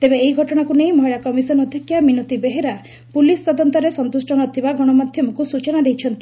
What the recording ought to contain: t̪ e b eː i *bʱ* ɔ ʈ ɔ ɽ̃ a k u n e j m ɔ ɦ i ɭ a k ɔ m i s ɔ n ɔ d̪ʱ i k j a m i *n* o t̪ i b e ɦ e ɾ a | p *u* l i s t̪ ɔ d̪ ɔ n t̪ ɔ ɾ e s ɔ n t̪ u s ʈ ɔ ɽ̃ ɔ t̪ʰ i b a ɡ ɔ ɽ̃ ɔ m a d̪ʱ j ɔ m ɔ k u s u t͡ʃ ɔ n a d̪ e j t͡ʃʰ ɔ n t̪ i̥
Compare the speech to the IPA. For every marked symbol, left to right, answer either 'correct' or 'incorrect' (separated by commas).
incorrect, correct, correct